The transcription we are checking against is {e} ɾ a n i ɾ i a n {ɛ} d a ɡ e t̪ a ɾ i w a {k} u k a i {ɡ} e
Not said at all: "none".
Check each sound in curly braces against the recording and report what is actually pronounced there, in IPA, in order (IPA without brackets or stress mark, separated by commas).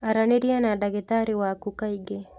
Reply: a, a, k, ɡ